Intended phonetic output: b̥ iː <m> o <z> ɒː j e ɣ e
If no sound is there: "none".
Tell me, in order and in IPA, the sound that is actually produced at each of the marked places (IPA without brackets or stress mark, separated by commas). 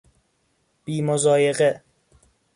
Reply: m, z